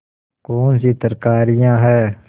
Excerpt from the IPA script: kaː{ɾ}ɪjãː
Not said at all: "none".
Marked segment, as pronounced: ɾ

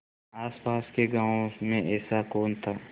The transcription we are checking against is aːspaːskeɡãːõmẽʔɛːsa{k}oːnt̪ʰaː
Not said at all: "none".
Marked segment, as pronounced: k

